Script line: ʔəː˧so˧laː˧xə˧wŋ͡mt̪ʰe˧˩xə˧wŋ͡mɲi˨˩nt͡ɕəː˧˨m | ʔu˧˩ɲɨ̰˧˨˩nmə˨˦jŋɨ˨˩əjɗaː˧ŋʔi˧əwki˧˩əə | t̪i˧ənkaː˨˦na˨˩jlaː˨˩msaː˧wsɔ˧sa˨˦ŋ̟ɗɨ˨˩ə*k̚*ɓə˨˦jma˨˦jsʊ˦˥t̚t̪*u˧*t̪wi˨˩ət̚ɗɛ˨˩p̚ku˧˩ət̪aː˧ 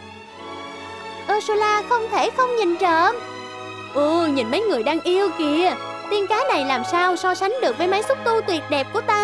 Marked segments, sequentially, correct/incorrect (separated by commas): correct, correct